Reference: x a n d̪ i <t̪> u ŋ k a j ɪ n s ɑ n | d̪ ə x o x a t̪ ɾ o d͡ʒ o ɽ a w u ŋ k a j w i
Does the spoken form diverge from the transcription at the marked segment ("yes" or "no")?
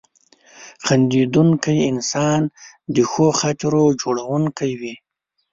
yes